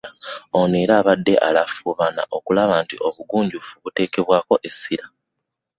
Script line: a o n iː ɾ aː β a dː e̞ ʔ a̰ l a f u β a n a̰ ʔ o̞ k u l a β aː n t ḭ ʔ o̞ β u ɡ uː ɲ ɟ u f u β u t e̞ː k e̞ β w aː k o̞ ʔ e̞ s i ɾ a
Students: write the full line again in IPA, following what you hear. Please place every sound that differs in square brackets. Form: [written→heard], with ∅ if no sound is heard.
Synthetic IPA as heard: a o n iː ɾ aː β a dː e̞ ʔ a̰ l a f u β a n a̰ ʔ o̞ k u l a β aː n t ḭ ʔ o̞ β u ɡ uː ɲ ɟ u f u β u t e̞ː k e̞ β w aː k o̞ ʔ e̞ s i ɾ a